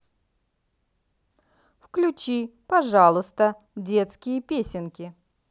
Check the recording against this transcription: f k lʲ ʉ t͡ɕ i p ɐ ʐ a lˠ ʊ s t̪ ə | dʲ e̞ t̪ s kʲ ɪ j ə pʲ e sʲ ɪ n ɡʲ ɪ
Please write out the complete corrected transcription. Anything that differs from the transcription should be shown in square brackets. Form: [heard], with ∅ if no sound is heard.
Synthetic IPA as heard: f k lʲ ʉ t͡ɕ i p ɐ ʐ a lˠ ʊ s t̪ ə | dʲ e̞ t̪ s kʲ ɪ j ə pʲ e sʲ ɪ n [kʲ] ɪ